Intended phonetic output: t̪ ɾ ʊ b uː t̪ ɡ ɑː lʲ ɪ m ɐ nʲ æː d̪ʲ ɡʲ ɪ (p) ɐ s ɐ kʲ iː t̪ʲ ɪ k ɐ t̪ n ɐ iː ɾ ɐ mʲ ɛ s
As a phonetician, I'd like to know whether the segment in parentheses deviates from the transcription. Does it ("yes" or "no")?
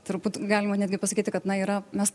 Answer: no